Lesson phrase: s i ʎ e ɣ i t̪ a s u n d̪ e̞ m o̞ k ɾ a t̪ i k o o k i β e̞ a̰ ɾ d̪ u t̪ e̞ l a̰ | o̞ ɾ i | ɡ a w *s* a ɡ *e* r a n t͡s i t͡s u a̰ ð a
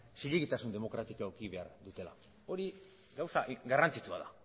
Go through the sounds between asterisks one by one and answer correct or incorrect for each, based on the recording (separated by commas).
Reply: correct, incorrect